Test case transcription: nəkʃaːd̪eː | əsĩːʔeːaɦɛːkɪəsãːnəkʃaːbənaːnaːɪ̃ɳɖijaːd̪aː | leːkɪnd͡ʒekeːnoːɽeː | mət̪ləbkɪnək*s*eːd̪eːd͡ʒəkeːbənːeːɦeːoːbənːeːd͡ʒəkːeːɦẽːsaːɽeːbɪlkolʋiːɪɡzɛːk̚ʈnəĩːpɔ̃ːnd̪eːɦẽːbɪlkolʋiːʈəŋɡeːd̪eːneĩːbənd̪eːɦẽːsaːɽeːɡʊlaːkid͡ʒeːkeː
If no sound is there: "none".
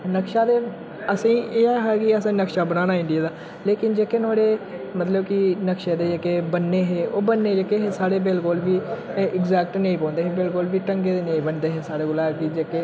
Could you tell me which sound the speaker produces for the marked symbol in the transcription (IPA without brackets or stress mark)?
ʃ